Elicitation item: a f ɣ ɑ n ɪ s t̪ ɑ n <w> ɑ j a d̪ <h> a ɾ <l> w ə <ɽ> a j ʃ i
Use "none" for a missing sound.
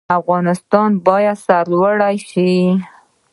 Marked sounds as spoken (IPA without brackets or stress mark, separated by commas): b, s, l, ɽ